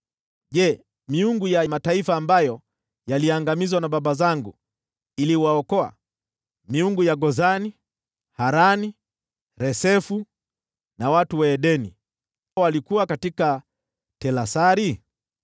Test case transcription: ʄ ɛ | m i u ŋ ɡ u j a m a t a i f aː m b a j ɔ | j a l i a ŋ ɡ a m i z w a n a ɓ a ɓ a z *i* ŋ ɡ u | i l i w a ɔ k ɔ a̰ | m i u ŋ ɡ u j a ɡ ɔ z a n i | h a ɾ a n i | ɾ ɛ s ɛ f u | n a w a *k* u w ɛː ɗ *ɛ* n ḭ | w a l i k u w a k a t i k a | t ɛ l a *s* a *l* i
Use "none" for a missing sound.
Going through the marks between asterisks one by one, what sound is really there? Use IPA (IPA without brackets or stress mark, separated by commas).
a, t, ɛ, s, ɾ